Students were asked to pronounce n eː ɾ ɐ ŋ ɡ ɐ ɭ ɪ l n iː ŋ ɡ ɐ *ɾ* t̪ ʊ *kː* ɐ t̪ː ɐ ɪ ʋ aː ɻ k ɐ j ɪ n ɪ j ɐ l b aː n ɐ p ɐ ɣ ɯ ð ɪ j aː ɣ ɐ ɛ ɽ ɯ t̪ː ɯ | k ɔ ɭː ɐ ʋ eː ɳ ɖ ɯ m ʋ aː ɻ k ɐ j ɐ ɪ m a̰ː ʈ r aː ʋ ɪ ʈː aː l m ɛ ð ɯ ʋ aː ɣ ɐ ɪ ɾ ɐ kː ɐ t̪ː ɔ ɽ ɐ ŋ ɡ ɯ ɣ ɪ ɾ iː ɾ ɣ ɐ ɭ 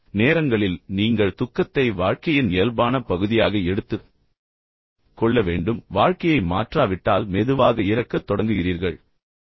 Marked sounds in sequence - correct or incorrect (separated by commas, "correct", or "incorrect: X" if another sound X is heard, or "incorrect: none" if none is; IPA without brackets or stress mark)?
incorrect: ɭ, correct